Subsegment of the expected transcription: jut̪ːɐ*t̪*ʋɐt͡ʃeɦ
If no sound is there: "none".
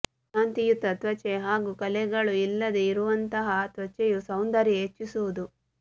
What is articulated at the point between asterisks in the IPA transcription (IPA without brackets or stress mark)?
t̪